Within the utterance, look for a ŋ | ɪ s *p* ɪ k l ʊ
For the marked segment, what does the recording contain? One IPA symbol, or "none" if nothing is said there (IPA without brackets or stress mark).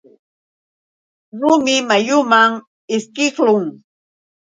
k